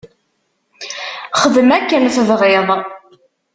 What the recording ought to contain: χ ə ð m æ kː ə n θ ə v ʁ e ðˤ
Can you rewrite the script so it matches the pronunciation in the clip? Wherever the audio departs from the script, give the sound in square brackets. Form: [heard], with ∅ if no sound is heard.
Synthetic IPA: χ ə ð m æ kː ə n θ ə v ʁ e ðˤ